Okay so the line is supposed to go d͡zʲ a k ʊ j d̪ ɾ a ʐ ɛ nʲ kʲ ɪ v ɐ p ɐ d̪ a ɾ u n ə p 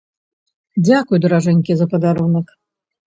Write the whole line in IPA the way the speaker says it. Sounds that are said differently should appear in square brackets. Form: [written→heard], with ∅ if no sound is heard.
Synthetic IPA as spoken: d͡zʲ a k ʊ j d̪ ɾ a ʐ ɛ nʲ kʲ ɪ [v→z] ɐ p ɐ d̪ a ɾ u n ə [p→k]

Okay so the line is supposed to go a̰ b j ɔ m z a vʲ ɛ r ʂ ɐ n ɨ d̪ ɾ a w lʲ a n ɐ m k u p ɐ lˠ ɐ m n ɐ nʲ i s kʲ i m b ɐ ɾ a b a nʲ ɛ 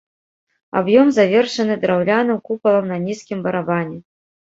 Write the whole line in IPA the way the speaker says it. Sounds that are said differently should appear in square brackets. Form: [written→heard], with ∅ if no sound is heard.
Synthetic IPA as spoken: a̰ b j ɔ m z a vʲ ɛ r ʂ ɐ n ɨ d̪ ɾ a w lʲ a n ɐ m k u p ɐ lˠ ɐ m n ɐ nʲ i s kʲ i m b ɐ ɾ a b a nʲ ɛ

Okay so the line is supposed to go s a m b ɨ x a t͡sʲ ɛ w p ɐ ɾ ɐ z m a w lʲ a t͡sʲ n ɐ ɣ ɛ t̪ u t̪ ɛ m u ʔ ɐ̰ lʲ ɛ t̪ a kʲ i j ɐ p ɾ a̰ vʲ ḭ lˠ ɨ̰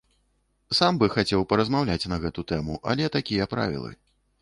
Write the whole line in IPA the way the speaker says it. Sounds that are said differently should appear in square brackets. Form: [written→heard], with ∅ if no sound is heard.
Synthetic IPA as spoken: s a m b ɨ x a t͡sʲ ɛ w p ɐ ɾ ɐ z m a w lʲ a t͡sʲ n ɐ ɣ ɛ t̪ u t̪ ɛ m u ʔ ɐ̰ lʲ ɛ t̪ a kʲ i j ɐ p ɾ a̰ vʲ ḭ lˠ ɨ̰

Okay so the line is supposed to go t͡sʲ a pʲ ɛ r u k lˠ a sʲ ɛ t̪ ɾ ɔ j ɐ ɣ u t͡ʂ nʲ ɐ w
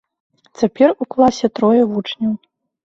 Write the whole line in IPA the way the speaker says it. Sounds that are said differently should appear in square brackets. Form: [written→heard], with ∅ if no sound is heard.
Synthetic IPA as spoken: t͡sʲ a pʲ ɛ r u k lˠ a sʲ ɛ t̪ ɾ ɔ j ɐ [ɣ→v] u t͡ʂ nʲ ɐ w

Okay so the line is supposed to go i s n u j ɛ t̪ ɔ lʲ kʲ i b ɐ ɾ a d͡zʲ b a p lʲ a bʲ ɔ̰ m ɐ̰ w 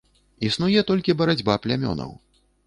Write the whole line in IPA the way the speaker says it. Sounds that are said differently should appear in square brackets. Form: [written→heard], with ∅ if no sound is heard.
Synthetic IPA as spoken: i s n u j ɛ t̪ ɔ lʲ kʲ i b ɐ ɾ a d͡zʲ b a p lʲ a [bʲ→mʲ] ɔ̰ [m→n] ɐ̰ w

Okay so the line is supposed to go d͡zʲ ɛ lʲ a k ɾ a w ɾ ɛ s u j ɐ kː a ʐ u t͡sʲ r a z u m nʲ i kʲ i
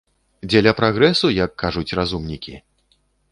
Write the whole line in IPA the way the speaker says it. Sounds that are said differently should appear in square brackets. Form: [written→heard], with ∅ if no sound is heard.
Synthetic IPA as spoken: d͡zʲ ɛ lʲ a [k→p] ɾ a [w→ɣ] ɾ ɛ s u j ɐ kː a ʐ u t͡sʲ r a z u m nʲ i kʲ i

